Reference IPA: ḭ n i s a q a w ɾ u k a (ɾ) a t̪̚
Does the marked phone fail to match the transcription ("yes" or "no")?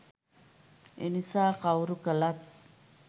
yes